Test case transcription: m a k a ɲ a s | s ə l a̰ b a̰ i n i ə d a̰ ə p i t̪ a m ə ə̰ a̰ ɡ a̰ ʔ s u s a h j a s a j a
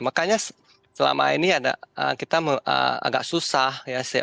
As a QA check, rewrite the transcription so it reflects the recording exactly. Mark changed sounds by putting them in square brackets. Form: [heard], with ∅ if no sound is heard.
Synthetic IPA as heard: m a k a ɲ a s | s ə l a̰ [m] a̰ i n i [a] d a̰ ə [k] i t̪ a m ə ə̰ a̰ ɡ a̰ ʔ s u s a h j a s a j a